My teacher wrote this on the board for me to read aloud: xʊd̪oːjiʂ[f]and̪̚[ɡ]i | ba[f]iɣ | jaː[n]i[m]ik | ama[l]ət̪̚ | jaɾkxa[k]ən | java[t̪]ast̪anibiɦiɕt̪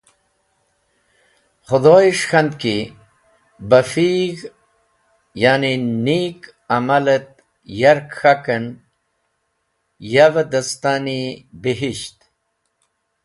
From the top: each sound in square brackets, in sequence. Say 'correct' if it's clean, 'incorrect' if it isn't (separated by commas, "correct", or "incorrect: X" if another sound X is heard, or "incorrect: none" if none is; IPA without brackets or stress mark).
incorrect: x, incorrect: k, correct, correct, incorrect: n, correct, correct, incorrect: d̪